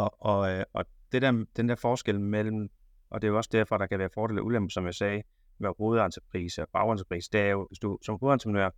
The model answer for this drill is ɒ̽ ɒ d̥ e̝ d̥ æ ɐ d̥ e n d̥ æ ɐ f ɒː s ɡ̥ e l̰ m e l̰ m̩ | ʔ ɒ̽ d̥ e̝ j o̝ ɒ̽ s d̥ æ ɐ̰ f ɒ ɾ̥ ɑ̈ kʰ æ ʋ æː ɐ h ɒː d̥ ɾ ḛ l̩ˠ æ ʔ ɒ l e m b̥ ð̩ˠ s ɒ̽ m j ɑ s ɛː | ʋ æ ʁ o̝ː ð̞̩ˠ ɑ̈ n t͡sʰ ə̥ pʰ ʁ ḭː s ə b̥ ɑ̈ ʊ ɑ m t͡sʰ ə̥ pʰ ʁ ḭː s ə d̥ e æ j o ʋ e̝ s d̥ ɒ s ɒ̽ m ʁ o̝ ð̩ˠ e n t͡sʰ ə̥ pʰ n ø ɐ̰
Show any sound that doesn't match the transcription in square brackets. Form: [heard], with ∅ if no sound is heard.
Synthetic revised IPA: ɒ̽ ɒ d̥ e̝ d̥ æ ɐ d̥ e n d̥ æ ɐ f ɒː s ɡ̥ e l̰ m e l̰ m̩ | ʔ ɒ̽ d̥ e̝ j o̝ ɒ̽ s d̥ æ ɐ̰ f ɒ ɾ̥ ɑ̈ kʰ æ ʋ æː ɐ [f] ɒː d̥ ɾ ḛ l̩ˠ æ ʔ [u] l e m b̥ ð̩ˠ s ɒ̽ m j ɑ s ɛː | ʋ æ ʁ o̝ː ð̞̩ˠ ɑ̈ n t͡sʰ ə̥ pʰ ʁ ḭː s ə b̥ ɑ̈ ʊ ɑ [n] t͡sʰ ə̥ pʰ ʁ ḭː s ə d̥ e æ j o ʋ e̝ s d̥ [u] s ɒ̽ m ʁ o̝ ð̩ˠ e n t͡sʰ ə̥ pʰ n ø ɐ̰